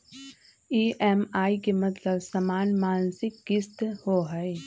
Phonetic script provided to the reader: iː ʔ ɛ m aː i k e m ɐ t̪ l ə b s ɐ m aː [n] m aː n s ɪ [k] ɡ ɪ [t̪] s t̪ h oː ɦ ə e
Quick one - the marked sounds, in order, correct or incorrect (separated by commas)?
correct, correct, incorrect